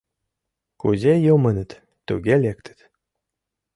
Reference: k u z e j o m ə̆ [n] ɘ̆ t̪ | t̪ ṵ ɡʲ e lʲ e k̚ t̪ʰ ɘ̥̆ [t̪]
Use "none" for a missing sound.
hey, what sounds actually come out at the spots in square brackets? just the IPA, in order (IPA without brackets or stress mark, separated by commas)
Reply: n, t̪